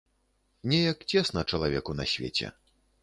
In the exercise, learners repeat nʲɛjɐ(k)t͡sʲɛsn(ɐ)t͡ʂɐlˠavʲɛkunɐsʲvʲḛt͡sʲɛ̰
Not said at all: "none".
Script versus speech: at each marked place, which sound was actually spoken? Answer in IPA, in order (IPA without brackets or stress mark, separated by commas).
k, ɐ